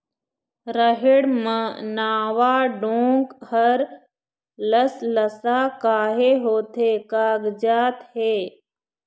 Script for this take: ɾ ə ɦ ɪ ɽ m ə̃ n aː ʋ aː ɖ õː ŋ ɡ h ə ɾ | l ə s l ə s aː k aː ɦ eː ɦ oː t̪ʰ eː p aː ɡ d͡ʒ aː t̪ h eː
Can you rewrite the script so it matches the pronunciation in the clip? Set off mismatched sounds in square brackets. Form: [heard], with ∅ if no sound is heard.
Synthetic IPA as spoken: ɾ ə ɦ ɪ ɽ m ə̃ n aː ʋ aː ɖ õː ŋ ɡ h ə ɾ | l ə s l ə s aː k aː ɦ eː ɦ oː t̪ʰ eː [k] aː ɡ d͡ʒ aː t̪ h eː